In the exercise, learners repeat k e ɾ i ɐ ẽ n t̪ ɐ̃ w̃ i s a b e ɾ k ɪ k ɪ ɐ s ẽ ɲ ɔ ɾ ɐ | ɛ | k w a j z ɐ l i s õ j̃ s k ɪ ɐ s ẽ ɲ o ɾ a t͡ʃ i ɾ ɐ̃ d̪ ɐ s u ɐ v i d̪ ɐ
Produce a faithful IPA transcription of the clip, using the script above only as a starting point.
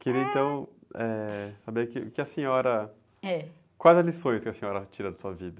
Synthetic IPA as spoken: k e ɾ i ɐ ẽ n t̪ ɐ̃ w̃ ɛ s a b e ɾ k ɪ k ɪ ɐ s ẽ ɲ ɔ ɾ ɐ | ɛ | k w a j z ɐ l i s õ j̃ s k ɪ ɐ s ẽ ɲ ɔ ɾ ɐ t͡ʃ i ɾ ɐ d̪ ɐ s u ɐ v i d̪ ɐ